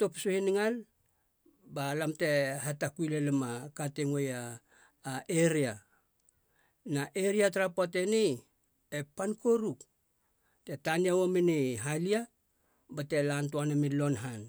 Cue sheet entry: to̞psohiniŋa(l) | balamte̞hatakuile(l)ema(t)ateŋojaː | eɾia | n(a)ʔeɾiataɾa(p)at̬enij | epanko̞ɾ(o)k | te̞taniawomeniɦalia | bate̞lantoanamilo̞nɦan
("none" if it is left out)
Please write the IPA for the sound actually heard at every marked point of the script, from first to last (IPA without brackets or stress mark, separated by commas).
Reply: l, l, k, a, p, u